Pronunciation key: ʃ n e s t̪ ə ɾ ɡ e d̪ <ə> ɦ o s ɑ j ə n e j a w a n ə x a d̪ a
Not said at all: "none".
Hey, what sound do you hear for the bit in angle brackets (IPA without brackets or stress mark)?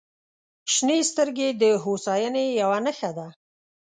ə